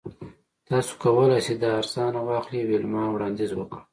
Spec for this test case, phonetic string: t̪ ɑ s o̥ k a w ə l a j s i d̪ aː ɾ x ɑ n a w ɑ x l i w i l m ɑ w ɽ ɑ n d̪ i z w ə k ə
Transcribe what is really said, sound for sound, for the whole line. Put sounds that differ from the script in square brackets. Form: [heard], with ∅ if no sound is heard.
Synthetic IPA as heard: t̪ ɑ s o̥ k a w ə l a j s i d̪ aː ɾ [s] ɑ n a w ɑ x l i w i l m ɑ w ɽ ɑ n d̪ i z w ə k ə